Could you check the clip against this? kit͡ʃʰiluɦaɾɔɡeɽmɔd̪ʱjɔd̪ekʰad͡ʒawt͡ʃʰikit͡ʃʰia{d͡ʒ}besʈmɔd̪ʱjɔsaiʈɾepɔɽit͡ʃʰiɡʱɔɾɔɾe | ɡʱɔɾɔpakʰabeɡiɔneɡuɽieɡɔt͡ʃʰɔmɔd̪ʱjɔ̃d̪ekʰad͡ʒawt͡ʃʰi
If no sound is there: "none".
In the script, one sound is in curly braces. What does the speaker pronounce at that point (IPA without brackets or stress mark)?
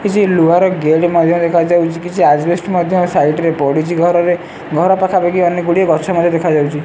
d͡ʒ